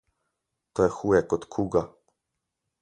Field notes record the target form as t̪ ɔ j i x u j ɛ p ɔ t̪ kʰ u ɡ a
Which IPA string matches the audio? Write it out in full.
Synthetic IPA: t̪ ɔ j ɛ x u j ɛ k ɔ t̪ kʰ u ɡ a